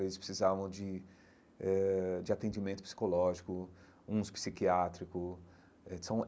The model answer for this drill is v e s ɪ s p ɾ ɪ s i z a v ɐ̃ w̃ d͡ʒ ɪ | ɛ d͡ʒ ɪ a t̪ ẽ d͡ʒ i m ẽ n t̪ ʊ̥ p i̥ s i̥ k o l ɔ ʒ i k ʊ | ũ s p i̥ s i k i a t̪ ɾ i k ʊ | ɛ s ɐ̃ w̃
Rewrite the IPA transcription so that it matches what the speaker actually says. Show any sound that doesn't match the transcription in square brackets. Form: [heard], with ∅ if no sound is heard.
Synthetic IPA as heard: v e [z] ɪ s p ɾ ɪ s i z a v ɐ̃ w̃ d͡ʒ ɪ | ɛ d͡ʒ ɪ a t̪ ẽ d͡ʒ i m ẽ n t̪ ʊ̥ p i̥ s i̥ k o l ɔ ʒ i k ʊ | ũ s p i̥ s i k i a t̪ ɾ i k ʊ | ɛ s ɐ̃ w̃